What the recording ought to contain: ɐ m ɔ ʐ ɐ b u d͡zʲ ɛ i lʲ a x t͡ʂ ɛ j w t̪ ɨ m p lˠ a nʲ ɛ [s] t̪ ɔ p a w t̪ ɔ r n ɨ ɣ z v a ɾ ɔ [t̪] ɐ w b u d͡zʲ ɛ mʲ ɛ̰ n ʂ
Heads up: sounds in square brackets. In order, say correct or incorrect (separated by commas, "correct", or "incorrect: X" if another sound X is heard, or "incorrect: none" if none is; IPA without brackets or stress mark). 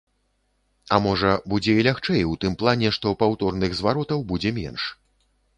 incorrect: ʂ, correct